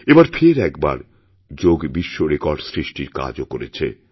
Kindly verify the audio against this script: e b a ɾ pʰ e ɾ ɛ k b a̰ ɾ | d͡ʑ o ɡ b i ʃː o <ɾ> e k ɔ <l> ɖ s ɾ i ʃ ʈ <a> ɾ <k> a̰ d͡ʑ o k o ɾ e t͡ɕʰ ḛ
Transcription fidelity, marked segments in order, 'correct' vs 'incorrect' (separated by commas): correct, incorrect, incorrect, correct